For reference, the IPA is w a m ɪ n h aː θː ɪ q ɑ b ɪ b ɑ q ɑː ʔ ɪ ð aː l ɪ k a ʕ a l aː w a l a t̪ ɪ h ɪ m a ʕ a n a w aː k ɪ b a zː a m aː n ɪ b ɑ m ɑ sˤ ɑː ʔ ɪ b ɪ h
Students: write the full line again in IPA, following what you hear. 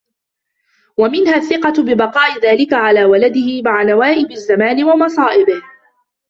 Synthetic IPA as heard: w a m ɪ n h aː θː ɪ q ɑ b ɪ b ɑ q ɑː ʔ ɪ ð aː l ɪ k a ʕ a l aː w a l a d̪ ɪ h ɪ m a ʕ a n a w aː ʔ ɪ b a zː a m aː n ɪ w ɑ m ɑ sˤ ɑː ʔ ɪ b ɪ h